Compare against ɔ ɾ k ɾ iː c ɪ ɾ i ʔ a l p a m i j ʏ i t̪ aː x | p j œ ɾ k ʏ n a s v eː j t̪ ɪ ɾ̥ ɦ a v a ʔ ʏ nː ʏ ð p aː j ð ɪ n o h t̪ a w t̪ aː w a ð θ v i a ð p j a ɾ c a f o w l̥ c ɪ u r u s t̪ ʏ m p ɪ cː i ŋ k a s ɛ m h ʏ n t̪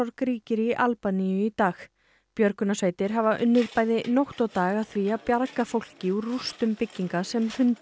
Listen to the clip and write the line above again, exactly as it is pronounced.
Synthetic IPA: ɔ ɾ k ɾ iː c ɪ ɾ i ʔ a l p a n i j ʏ i t̪ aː x | p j œ ɾ k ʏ n a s v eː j t̪ ɪ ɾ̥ ɦ a v a ʔ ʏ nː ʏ ð p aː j ð ɪ n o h t̪ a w t̪ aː ɣ a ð θ v i a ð p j a ɾ k a f o w l̥ c ɪ u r u s t̪ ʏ m p ɪ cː i ŋ k a s ɛ m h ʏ n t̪